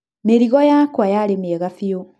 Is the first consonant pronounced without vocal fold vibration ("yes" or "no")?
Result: no